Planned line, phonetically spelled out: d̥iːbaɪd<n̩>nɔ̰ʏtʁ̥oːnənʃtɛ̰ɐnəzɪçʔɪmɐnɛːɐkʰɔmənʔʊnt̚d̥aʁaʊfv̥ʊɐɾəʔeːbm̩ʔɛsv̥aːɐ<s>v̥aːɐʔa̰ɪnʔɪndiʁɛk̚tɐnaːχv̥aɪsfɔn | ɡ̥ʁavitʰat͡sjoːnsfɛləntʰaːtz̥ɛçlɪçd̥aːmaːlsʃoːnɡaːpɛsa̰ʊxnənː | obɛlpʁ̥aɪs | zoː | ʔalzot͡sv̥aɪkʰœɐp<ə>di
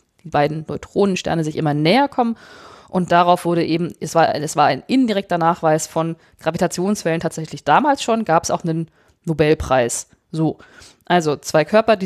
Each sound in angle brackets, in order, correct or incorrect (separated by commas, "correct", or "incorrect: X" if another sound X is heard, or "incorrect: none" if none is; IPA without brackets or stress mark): correct, correct, incorrect: ɐ